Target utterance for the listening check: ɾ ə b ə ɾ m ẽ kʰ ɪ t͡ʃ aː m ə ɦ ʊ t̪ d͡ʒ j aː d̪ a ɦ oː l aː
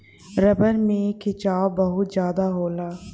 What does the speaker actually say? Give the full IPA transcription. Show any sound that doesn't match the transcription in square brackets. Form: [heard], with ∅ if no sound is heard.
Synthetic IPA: ɾ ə b ə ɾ m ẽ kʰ ɪ t͡ʃ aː [b] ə ɦ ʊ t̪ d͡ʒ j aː d̪ a ɦ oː l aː

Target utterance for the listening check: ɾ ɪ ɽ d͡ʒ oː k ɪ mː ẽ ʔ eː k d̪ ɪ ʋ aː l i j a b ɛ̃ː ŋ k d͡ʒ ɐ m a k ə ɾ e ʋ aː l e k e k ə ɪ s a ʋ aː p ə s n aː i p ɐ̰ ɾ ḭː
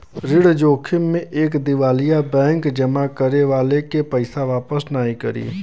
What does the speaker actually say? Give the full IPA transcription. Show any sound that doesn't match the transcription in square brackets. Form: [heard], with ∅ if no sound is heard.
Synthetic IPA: ɾ ɪ ɽ d͡ʒ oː [kʰ] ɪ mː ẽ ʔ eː k d̪ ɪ ʋ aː l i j a b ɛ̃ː ŋ k d͡ʒ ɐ m a k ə ɾ e ʋ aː l e k e [p] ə ɪ s a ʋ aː p ə s n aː i [k] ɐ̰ ɾ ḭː

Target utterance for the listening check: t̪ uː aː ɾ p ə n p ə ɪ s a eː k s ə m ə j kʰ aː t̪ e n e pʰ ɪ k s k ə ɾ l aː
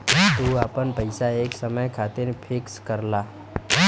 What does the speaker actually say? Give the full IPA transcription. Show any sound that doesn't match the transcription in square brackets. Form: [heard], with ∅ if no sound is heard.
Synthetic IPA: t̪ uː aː [∅] p ə n p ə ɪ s a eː k s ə m ə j kʰ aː t̪ e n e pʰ ɪ k s k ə ɾ l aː

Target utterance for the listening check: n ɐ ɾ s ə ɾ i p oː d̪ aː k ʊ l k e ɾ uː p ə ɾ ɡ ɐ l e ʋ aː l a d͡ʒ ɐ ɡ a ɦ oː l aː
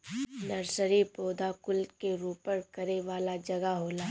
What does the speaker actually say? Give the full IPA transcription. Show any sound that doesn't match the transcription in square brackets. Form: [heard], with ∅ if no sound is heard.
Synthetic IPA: n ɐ ɾ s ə ɾ i p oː d̪ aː k ʊ l k e ɾ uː p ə ɾ [k] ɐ [ɾ] e ʋ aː l a d͡ʒ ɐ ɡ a ɦ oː l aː

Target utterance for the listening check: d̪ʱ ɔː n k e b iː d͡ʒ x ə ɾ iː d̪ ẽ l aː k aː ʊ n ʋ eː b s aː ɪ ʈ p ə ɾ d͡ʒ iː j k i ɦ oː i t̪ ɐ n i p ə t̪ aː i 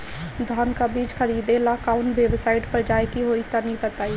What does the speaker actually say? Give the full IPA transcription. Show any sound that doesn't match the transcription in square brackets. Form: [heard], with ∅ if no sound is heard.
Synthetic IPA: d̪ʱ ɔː n k [a] b iː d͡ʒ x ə ɾ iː d̪ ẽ l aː k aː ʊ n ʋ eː b s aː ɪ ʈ p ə ɾ d͡ʒ [aː] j k i ɦ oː i t̪ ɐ n i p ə t̪ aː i

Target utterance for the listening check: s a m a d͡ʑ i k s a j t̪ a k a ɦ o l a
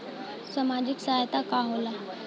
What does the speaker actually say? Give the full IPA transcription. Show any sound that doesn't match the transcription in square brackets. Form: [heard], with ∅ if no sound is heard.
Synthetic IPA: s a m a d͡ʑ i k s a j t̪ a k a ɦ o l a

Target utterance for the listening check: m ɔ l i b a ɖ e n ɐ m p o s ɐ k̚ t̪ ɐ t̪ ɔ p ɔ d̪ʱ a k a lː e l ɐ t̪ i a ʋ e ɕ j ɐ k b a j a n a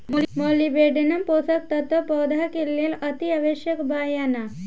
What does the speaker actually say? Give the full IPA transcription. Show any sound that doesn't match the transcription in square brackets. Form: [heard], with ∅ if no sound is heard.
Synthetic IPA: m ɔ l i b [e] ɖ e n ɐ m p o s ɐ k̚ t̪ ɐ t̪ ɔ p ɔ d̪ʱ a k [e] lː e l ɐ t̪ i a ʋ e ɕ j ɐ k b a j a n a

